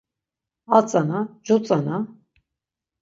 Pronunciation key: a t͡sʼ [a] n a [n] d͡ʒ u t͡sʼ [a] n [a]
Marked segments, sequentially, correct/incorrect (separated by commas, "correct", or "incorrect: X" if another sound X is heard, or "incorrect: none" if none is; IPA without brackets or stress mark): correct, incorrect: none, correct, correct